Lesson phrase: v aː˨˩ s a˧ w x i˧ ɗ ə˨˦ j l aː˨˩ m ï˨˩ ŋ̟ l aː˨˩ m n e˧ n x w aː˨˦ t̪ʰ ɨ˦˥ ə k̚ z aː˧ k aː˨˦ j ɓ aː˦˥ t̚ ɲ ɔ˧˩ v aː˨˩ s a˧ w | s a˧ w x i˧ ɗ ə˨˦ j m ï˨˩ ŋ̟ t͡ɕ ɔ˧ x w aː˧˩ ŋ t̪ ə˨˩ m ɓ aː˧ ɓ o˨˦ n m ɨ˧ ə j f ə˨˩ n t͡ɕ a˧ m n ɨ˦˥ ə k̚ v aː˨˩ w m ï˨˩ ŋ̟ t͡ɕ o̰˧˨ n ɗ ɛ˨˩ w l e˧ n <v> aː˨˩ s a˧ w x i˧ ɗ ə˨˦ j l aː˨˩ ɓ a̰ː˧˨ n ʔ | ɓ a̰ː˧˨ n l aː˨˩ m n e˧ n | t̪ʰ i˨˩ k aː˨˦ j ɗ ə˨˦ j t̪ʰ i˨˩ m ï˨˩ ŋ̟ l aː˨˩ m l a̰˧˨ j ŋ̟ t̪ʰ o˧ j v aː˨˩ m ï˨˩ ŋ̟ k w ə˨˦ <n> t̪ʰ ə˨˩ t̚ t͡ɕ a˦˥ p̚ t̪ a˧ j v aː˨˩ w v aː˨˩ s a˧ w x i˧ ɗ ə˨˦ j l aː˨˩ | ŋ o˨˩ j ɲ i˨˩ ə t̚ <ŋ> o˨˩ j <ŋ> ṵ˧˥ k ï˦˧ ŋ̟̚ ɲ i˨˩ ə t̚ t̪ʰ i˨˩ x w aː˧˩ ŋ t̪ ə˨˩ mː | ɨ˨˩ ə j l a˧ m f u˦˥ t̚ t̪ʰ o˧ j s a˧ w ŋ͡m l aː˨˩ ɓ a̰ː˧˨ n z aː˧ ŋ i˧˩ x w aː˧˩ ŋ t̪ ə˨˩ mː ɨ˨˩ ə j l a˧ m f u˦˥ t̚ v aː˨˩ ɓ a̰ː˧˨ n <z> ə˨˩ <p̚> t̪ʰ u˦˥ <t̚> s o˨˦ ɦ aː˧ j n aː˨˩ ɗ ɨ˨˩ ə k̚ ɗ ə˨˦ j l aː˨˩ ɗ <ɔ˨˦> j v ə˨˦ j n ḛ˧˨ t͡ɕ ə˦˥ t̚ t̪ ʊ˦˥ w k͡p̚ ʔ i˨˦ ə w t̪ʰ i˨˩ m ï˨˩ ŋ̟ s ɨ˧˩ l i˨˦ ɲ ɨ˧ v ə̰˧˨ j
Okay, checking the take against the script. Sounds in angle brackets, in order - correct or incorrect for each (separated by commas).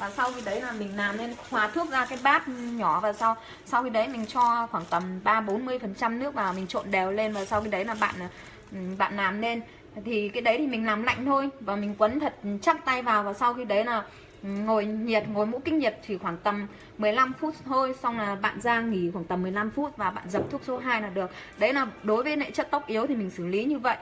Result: correct, correct, correct, incorrect, correct, correct, incorrect, incorrect